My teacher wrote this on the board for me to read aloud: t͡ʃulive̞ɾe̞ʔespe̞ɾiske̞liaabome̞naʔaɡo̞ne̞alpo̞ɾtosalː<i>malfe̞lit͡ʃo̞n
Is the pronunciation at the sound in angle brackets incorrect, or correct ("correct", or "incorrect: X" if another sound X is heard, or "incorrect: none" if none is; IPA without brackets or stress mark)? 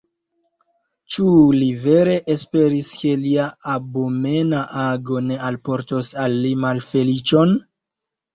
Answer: correct